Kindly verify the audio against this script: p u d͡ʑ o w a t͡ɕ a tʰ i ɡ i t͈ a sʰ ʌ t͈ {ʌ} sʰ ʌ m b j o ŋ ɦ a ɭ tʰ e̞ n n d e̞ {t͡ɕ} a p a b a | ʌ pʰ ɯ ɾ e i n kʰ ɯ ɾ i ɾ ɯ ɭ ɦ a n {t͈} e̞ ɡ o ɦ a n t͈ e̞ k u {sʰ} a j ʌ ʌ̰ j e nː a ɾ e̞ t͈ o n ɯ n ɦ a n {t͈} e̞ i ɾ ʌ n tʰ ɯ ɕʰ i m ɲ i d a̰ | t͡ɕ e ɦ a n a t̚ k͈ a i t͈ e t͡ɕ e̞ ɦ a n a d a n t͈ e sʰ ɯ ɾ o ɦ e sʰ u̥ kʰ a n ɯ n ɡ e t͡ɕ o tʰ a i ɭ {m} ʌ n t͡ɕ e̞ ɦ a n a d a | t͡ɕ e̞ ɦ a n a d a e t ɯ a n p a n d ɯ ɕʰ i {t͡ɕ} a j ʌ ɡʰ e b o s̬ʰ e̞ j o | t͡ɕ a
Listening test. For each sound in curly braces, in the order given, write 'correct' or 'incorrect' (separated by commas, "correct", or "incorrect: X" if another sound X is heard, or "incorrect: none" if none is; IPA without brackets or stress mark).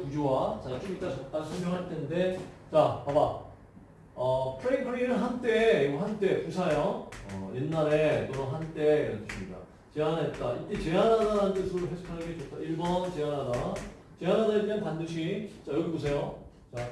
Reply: incorrect: a, correct, correct, correct, correct, incorrect: b, correct